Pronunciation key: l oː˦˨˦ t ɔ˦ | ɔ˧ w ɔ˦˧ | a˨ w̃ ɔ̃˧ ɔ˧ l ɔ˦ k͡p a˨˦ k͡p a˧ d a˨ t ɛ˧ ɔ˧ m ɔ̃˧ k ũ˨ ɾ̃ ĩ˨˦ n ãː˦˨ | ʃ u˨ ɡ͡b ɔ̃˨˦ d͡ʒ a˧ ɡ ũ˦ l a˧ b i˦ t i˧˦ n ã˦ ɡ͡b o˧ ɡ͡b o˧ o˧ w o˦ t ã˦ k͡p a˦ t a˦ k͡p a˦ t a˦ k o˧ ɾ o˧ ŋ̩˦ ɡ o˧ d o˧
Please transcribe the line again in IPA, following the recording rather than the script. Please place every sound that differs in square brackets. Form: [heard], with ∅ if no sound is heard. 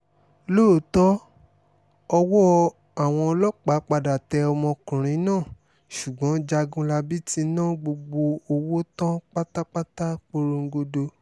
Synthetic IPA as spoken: l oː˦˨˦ t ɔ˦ | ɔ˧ w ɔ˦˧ | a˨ w̃ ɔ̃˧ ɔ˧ l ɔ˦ k͡p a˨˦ k͡p a˧ d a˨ t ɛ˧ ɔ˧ m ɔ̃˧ k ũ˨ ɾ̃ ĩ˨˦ n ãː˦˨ | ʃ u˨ ɡ͡b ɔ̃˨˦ d͡ʒ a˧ ɡ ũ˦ l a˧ b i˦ t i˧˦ n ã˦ ɡ͡b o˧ ɡ͡b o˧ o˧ w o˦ t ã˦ k͡p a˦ t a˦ k͡p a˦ t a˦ [k͡p] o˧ ɾ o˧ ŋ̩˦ ɡ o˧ d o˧